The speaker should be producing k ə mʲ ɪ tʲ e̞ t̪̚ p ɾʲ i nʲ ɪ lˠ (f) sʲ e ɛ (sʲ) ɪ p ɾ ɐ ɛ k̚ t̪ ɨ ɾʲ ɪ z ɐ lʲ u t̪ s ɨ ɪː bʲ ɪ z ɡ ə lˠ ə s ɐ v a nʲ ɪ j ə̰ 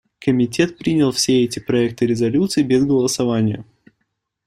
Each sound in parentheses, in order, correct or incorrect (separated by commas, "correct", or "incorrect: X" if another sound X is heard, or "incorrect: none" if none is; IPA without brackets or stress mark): correct, incorrect: tʲ